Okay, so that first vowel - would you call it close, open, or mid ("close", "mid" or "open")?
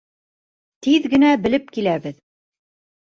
close